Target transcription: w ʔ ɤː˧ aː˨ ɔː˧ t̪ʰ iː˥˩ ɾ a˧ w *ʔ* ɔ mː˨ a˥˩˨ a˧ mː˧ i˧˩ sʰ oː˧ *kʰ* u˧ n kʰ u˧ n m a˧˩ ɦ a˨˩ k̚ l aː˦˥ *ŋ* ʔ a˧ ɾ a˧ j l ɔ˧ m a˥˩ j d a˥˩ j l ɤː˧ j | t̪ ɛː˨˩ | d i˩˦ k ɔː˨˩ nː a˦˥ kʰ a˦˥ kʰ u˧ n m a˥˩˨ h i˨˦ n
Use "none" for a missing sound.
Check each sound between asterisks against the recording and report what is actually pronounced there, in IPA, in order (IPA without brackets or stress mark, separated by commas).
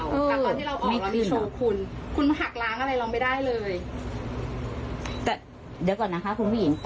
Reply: ʔ, kʰ, ŋ